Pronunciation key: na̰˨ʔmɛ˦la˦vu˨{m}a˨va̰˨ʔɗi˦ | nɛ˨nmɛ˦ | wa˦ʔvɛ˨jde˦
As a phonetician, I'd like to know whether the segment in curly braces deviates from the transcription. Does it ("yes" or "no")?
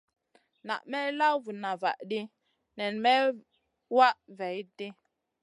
yes